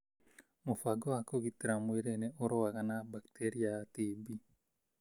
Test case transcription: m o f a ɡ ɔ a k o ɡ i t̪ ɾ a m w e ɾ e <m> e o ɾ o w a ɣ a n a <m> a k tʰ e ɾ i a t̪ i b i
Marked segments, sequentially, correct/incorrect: incorrect, incorrect

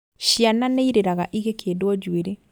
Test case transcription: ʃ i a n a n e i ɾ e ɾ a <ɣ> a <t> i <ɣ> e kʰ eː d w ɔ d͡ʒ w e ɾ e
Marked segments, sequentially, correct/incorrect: correct, incorrect, correct

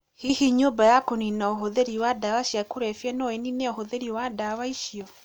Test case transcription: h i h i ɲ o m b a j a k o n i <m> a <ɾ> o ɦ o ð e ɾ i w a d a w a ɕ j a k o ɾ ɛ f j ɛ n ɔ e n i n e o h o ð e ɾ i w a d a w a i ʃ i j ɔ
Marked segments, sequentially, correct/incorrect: incorrect, incorrect

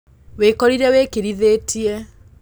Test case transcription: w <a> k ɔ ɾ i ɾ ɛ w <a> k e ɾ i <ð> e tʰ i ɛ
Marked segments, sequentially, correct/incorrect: incorrect, incorrect, correct

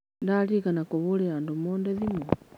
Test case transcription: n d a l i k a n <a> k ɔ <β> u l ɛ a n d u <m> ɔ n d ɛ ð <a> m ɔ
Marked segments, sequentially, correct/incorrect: correct, correct, correct, incorrect

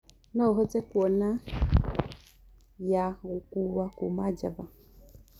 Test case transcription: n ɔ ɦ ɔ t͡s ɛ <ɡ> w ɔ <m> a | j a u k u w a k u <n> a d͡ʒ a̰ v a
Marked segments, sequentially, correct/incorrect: incorrect, incorrect, incorrect

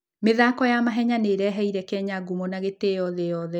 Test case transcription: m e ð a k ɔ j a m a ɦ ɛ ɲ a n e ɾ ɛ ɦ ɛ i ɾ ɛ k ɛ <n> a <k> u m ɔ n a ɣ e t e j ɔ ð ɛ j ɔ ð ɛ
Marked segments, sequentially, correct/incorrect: incorrect, incorrect

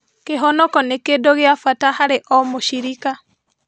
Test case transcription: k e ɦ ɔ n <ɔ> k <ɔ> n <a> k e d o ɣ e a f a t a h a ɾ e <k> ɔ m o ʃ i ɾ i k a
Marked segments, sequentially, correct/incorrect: correct, correct, incorrect, incorrect

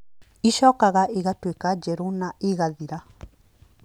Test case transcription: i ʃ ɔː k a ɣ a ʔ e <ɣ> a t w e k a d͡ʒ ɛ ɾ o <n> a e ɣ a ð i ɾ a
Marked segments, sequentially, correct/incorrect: correct, correct

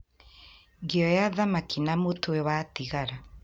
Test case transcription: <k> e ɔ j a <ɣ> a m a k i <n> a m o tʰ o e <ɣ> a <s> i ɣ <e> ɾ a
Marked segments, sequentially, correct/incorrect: incorrect, incorrect, correct, incorrect, incorrect, incorrect

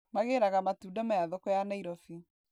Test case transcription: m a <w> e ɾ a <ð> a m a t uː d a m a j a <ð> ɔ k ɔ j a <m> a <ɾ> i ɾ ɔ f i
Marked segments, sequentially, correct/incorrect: incorrect, incorrect, correct, incorrect, incorrect

